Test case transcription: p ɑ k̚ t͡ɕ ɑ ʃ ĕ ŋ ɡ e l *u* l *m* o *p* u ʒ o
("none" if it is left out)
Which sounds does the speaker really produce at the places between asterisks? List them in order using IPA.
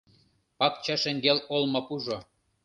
o, m, p

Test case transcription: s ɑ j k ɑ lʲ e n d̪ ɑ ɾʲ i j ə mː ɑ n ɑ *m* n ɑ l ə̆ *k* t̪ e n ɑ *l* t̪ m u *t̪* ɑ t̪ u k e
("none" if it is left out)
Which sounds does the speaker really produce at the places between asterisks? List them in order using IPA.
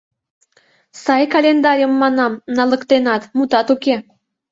m, k, none, t̪

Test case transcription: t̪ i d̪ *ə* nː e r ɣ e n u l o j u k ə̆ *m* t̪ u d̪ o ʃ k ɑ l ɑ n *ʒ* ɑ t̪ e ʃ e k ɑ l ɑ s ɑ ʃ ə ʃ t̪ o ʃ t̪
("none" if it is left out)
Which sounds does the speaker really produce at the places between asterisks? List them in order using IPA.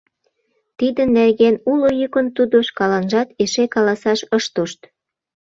ə, n, ʒ

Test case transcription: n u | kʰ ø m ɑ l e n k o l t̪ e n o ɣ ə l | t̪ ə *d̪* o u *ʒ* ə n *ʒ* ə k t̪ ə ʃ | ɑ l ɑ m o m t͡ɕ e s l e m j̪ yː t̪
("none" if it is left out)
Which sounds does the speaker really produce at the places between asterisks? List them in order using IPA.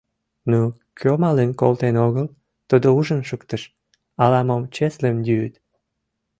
d̪, ʒ, ʃ

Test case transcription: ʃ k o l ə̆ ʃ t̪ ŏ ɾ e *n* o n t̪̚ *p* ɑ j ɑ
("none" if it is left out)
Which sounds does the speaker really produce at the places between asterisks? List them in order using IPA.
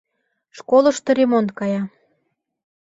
m, k

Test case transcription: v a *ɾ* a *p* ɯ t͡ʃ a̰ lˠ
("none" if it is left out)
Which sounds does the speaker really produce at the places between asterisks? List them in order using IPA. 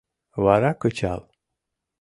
ɾ, k

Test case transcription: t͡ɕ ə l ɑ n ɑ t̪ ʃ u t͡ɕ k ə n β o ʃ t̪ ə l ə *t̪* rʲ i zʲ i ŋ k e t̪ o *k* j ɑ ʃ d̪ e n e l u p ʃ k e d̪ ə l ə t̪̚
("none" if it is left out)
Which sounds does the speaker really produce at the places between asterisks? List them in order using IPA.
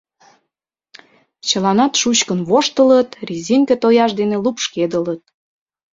t̪, none

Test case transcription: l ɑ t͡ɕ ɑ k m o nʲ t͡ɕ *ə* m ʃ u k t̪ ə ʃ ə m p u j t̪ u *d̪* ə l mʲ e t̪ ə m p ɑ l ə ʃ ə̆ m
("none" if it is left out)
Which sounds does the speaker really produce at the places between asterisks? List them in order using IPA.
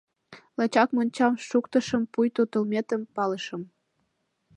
ɑ, t̪

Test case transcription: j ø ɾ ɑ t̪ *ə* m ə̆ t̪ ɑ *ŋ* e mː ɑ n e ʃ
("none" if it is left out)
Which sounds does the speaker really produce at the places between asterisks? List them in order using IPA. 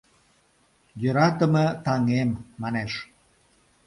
ə, ŋ

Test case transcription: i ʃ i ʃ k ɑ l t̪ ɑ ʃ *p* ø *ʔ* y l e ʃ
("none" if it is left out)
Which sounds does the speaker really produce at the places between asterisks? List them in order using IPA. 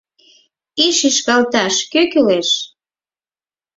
k, k

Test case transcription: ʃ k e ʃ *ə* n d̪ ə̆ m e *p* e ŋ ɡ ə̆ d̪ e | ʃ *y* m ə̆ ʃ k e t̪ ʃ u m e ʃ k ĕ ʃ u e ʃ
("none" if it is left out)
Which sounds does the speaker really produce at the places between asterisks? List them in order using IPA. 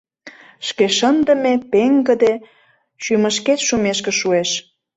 ə, p, y

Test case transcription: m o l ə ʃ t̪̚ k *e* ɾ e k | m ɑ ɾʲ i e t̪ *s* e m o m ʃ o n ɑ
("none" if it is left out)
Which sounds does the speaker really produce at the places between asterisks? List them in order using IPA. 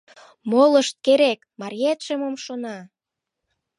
e, ʃ

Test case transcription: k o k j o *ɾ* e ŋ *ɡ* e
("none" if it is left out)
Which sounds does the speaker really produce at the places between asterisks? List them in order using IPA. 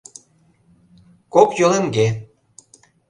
l, ɡ

